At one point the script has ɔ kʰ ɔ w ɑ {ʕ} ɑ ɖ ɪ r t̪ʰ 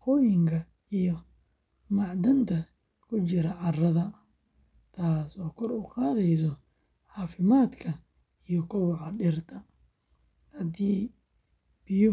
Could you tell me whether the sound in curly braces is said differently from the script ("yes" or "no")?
no